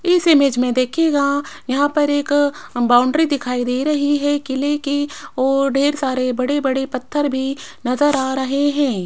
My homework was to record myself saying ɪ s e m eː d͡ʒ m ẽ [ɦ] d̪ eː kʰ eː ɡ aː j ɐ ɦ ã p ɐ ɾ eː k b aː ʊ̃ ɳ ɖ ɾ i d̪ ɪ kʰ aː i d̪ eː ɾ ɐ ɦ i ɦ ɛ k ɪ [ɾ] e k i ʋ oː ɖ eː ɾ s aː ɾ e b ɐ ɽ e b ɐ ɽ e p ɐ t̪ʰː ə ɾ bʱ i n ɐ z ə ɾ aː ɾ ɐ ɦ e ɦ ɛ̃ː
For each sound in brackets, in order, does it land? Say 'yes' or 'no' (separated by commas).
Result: no, no